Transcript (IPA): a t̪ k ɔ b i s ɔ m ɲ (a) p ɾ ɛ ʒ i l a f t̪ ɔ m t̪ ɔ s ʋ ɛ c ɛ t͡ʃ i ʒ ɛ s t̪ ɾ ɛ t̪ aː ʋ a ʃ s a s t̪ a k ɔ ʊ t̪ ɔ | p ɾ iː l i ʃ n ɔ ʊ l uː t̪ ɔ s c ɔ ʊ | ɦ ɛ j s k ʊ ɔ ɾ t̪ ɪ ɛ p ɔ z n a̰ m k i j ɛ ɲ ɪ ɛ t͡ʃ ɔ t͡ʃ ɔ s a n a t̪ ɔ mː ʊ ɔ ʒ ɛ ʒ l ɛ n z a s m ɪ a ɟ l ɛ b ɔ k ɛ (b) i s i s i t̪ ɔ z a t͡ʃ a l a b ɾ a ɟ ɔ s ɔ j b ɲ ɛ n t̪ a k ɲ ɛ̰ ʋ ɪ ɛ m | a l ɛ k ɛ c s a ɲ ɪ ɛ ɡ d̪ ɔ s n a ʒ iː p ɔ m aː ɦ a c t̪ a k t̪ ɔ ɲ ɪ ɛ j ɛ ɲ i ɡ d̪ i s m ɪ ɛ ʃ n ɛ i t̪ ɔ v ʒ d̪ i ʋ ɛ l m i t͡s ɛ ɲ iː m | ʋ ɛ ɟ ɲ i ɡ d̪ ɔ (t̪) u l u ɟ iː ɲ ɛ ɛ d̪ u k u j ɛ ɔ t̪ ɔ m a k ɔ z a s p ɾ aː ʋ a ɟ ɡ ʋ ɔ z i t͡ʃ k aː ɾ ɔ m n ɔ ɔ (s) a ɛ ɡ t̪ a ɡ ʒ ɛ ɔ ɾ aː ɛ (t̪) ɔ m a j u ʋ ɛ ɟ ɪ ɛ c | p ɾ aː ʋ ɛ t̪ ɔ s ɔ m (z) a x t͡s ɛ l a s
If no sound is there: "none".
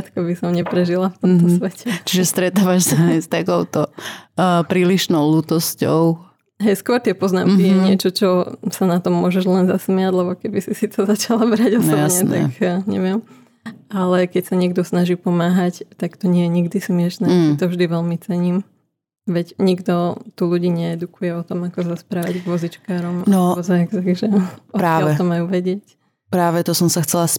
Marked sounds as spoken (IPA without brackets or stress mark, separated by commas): ɛ, b, t̪, z, t̪, s